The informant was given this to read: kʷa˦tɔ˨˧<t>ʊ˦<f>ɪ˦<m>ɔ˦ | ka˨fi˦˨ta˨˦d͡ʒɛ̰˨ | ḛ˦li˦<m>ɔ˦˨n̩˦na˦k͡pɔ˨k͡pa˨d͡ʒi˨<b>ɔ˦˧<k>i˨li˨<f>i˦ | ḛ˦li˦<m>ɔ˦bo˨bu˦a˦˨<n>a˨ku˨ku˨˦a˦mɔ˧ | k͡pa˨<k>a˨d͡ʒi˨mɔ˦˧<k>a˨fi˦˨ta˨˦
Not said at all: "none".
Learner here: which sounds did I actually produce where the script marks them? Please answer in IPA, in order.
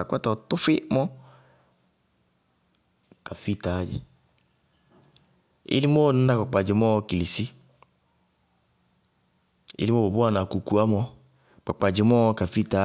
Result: t, f, m, m, m, k, s, m, n, k͡p, k

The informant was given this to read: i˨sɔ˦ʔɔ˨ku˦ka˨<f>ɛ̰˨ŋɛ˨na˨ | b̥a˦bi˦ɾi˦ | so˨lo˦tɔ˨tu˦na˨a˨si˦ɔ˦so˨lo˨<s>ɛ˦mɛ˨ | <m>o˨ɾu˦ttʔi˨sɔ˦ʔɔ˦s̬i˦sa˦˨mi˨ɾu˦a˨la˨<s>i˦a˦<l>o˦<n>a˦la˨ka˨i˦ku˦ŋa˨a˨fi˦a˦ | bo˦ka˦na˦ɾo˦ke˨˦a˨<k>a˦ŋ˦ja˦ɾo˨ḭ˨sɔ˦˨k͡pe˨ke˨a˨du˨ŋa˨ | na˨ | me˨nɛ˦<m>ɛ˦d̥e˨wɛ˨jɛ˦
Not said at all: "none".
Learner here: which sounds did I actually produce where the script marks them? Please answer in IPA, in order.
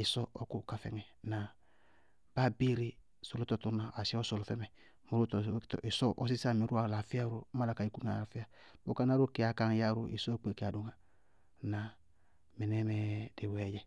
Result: f, f, m, f, ɾ, m, k, m

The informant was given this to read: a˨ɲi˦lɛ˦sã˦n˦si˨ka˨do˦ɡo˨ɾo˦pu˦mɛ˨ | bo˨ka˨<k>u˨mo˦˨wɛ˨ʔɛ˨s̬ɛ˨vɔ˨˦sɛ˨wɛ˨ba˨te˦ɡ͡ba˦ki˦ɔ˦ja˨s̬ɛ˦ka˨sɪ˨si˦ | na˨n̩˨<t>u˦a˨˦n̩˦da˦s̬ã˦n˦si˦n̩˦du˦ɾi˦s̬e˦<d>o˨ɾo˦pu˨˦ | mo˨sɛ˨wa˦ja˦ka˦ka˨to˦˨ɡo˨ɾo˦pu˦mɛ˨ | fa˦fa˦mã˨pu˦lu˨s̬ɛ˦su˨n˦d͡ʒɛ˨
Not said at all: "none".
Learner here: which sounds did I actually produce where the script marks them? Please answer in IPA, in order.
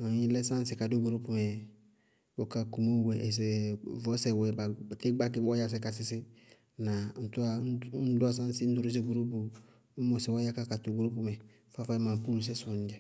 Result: k, t, ɡ

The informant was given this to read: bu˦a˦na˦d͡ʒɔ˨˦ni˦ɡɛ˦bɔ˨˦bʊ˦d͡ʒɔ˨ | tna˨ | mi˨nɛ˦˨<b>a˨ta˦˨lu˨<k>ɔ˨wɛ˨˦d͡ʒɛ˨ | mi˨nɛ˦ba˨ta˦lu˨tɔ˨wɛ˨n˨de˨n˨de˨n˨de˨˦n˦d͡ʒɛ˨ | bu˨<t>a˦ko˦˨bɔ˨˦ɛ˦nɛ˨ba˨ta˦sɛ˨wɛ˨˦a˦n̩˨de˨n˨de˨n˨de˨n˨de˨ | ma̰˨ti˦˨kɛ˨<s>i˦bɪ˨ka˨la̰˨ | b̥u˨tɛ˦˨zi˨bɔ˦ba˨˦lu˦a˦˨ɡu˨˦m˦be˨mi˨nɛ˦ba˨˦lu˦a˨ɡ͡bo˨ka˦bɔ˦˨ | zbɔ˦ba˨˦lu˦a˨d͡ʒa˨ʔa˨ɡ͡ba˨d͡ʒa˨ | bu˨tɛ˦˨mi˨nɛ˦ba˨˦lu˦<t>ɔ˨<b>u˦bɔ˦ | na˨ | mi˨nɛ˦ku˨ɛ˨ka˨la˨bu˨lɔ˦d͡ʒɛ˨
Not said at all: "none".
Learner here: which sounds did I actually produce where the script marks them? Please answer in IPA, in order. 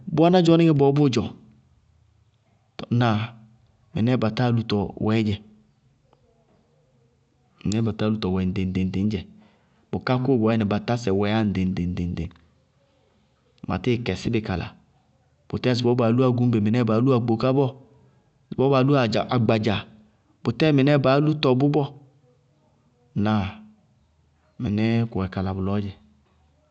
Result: b, t, k, s, t, b

